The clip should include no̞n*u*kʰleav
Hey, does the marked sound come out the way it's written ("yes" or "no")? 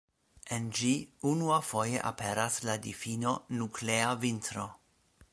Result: yes